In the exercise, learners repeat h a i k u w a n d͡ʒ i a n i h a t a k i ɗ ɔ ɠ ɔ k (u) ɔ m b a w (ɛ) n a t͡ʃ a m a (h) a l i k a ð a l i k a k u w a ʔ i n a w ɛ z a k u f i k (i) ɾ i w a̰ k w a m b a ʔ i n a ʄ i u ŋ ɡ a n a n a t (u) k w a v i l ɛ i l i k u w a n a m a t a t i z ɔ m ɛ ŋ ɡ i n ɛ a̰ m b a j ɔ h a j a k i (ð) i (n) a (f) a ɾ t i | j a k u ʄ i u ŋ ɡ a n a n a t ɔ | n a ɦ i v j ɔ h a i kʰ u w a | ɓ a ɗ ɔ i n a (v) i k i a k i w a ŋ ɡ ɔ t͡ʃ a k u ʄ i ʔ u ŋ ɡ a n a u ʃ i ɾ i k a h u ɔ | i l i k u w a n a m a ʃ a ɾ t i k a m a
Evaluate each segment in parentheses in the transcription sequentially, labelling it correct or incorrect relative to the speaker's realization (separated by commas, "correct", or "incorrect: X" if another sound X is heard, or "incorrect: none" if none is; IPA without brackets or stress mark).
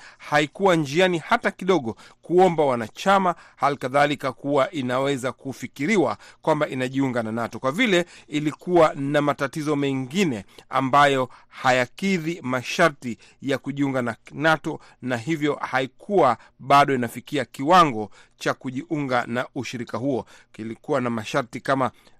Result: correct, incorrect: a, correct, correct, incorrect: ɔ, correct, incorrect: m, incorrect: ʃ, incorrect: f